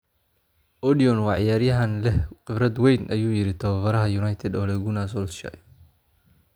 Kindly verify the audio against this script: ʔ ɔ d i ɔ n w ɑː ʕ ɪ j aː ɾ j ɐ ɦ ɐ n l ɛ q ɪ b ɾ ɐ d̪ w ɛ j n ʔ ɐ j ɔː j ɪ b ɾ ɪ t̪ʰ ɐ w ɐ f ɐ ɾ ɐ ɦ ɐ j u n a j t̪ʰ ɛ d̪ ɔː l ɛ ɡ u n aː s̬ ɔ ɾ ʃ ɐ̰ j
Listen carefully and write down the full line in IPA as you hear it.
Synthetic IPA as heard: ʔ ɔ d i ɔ n w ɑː ʕ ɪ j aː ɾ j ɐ ɦ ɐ n l ɛ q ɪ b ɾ ɐ d̪ w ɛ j n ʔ ɐ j uː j ɪ ɾ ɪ t̪ʰ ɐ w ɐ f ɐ ɾ ɐ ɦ ɐ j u n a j t̪ʰ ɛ d̪ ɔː l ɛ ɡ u n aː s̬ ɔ l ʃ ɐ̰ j